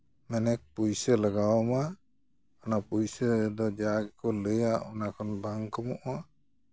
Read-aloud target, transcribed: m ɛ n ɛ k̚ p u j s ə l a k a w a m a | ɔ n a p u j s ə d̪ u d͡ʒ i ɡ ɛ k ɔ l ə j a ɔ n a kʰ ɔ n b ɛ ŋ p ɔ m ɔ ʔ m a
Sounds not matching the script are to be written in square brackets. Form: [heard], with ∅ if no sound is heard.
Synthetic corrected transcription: m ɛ n ɛ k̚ p u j s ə l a [ɡ] a w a m a | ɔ n a p u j s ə d̪ [ɔ] d͡ʒ [a] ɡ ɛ k ɔ l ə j a ɔ n a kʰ ɔ n b [a] ŋ [k] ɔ m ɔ ʔ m a